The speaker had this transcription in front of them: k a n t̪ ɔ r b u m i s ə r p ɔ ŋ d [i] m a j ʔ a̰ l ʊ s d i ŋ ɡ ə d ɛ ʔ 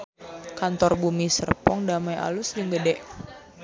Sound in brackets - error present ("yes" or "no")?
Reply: yes